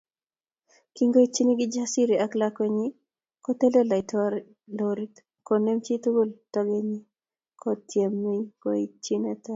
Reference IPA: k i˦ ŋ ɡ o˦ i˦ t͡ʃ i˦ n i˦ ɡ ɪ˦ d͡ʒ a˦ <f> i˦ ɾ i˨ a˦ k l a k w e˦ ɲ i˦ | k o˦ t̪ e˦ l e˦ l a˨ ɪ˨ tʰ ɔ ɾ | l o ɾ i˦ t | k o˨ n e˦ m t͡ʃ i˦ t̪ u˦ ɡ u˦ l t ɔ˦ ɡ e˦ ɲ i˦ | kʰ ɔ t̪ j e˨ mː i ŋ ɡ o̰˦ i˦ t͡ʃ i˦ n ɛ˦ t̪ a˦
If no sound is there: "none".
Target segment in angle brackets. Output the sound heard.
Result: s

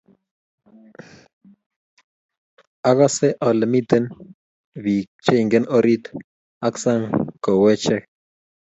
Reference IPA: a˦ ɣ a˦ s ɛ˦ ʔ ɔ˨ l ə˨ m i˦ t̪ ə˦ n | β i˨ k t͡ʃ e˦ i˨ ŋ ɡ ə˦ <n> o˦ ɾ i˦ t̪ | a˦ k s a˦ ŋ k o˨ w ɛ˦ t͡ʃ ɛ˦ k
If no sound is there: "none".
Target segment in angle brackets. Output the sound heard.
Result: n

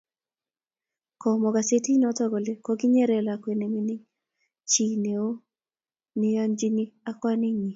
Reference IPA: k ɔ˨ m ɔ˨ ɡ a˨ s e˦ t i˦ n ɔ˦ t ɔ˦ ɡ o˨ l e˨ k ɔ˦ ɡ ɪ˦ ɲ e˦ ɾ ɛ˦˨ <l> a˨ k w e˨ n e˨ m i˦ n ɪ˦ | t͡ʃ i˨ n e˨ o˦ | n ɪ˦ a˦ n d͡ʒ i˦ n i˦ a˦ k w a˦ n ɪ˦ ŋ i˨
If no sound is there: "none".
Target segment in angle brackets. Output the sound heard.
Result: l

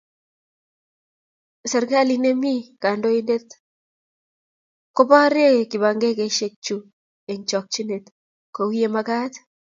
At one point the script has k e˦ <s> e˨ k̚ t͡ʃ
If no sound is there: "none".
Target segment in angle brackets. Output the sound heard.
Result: ʃ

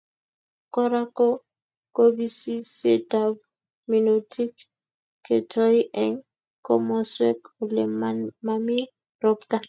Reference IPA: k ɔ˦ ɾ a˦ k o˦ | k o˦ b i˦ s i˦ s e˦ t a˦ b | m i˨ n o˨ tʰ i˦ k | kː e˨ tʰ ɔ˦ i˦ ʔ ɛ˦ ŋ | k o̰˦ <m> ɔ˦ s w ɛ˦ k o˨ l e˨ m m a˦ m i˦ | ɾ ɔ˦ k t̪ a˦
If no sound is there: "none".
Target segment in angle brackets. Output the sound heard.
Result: m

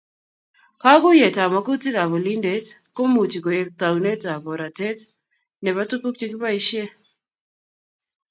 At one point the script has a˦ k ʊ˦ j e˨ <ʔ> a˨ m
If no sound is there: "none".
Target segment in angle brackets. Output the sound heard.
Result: t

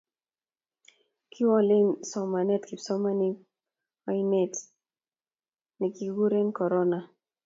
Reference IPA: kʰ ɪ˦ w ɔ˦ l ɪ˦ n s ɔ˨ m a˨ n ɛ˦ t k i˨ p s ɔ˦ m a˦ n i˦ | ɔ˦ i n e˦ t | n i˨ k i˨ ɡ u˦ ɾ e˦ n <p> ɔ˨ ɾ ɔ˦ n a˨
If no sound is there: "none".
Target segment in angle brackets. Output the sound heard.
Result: k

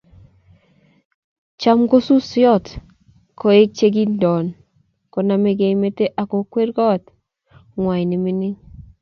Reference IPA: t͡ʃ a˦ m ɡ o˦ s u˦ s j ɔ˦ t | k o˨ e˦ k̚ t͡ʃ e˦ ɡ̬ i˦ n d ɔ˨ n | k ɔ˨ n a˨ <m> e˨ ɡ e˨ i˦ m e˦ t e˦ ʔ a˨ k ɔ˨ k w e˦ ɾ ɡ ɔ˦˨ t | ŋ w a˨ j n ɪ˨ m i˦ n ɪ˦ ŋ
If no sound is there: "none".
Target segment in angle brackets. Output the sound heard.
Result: m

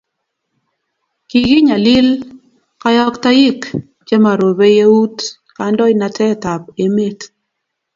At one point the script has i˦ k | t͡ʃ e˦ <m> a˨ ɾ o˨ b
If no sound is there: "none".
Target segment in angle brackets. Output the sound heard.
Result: m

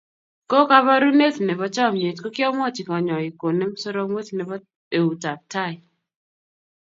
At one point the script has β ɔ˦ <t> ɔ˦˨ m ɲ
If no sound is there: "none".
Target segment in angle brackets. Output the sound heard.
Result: t͡ʃ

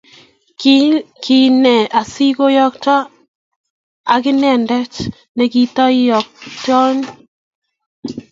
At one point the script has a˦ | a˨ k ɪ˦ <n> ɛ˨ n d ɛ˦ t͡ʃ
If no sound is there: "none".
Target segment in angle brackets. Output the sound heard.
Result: n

